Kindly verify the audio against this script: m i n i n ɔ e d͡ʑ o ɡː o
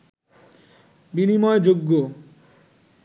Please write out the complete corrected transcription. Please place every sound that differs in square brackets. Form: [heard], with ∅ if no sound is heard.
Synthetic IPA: [b] i n i [m] ɔ e d͡ʑ o ɡː o